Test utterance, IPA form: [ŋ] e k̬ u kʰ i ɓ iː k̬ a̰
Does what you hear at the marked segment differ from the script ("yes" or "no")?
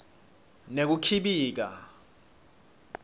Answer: yes